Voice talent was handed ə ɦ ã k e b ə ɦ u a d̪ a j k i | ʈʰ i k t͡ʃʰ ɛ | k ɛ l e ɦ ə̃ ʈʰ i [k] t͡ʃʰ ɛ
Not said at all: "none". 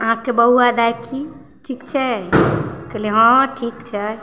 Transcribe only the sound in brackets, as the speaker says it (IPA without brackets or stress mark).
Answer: k